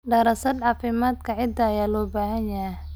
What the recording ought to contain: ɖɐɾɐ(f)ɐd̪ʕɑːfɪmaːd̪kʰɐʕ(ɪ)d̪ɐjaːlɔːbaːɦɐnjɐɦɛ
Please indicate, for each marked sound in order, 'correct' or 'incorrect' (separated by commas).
incorrect, correct